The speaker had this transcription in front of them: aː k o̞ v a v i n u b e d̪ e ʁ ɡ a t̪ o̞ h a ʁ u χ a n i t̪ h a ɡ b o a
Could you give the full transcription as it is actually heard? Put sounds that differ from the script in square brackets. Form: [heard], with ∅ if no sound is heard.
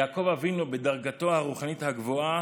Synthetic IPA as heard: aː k o̞ v a v i n u b e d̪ [a] ʁ ɡ a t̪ o̞ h a ʁ u χ a n i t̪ h a ɡ [v] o a